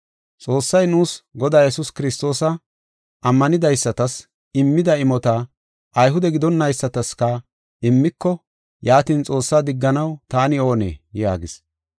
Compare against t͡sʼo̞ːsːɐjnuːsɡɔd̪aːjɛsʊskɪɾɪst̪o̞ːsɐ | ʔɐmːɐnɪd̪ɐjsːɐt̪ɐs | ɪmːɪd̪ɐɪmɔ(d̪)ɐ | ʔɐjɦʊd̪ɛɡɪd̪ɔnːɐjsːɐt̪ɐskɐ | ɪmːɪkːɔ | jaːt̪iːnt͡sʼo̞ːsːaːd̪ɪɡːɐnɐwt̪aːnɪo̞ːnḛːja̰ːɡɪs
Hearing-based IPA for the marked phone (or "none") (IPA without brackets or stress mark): t̪